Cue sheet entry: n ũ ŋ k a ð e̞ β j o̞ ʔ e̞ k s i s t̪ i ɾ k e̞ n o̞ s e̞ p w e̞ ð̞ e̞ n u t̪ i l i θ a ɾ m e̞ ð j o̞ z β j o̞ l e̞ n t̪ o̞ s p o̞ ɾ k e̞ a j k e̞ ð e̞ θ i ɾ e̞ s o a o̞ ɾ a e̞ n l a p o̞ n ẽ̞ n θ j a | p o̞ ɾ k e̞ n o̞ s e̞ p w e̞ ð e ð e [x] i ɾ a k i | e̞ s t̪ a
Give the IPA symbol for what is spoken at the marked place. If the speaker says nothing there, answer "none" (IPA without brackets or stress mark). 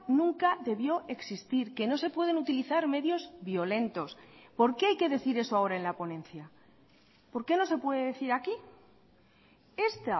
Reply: θ